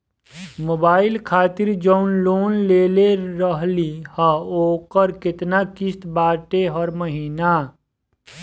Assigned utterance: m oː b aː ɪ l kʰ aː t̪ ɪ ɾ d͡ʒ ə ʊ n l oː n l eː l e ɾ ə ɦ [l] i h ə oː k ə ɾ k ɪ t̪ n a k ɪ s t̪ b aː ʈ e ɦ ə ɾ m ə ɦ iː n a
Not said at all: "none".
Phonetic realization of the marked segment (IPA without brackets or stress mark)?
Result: l